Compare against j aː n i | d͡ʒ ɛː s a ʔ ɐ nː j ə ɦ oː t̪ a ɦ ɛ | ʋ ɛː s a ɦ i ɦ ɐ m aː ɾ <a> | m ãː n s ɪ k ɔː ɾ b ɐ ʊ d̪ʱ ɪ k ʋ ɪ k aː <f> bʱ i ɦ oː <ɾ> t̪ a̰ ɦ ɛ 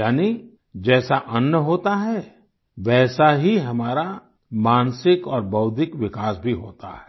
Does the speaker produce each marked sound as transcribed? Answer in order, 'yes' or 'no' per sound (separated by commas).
yes, no, no